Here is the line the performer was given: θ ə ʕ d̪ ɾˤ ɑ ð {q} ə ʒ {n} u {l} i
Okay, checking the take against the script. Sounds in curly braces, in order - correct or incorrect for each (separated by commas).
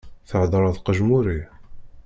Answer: correct, incorrect, incorrect